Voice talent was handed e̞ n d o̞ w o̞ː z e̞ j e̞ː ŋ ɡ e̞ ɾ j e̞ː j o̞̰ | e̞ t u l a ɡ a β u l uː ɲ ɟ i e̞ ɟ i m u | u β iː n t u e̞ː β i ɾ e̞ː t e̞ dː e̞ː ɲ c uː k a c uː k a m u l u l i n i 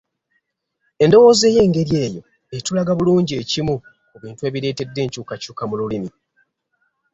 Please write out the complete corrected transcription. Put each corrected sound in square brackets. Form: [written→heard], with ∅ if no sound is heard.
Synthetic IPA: e̞ n d o̞ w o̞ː z e̞ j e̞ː ŋ ɡ e̞ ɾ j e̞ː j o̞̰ | e̞ t u l a ɡ a β u l uː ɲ ɟ i e̞ [ɟ→c] i m u | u β iː n t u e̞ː β i ɾ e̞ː t e̞ dː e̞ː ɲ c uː k a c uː k a m u l u l i [n→m] i